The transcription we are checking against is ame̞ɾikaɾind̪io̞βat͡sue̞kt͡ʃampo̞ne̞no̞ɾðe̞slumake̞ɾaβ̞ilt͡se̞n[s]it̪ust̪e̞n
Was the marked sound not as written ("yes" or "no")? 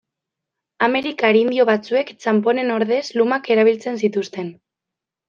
no